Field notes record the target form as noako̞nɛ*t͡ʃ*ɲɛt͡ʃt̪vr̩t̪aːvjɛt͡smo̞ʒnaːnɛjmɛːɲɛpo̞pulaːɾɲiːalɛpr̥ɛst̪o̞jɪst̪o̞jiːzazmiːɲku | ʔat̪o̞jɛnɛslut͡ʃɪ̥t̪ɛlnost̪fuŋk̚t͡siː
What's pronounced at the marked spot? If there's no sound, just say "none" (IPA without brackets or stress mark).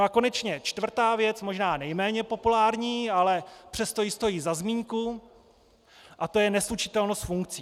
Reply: t͡ʃ